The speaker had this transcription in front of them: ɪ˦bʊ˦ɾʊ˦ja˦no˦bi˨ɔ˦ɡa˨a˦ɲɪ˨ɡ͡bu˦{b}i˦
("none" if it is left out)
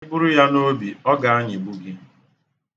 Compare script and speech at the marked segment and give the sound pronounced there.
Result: ɡ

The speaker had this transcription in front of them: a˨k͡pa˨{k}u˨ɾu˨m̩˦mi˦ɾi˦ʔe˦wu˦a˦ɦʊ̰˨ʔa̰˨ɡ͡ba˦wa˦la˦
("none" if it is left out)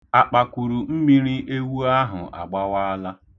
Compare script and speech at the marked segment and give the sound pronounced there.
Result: k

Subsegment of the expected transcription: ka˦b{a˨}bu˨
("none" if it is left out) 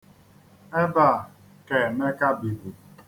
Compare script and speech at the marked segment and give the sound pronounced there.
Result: i˨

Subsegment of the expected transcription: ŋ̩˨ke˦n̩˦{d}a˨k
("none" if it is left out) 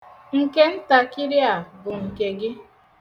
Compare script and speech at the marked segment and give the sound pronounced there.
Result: t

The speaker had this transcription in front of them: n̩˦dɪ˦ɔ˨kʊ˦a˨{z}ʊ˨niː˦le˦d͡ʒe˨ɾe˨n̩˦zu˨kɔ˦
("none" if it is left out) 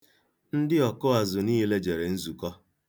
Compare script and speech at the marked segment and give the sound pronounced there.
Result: z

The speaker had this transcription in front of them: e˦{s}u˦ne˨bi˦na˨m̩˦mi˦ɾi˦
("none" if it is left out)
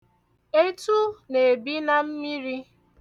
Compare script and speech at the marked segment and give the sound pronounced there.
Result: t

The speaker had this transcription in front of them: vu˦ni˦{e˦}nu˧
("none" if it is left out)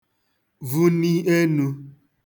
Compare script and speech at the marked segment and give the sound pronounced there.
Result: e˦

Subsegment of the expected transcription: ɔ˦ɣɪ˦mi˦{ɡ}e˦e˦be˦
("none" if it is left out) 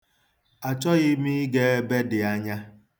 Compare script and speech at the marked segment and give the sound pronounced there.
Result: ɡ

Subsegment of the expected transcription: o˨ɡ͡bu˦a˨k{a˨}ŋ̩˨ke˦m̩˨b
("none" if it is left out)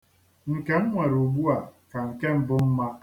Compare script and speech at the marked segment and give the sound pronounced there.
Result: a˨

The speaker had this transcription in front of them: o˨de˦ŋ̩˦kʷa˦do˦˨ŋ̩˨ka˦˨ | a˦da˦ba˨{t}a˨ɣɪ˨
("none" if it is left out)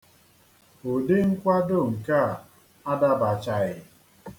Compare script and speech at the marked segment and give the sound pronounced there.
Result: t͡ʃ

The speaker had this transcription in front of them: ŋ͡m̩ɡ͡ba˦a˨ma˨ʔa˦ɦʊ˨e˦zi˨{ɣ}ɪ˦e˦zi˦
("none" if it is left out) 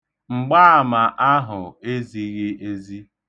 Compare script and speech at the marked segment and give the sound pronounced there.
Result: ɣ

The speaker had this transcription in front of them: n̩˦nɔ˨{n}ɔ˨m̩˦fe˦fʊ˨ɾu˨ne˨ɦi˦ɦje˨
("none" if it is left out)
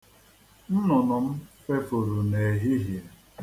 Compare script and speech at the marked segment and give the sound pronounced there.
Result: n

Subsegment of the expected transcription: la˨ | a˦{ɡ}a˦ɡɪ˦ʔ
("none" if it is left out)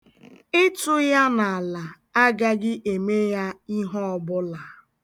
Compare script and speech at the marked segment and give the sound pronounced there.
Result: ɡ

